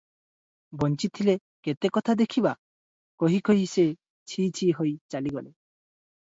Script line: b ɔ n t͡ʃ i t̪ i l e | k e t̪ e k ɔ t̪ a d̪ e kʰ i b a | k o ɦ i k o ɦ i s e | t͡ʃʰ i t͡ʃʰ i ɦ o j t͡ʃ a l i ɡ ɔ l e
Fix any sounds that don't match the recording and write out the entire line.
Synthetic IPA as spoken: b ɔ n t͡ʃ i t̪ʰ i l e | k e t̪ e k ɔ t̪ʰ a d̪ e kʰ i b a | k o ɦ i k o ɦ i s e | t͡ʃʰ i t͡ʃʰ i ɦ o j t͡ʃ a l i ɡ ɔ l e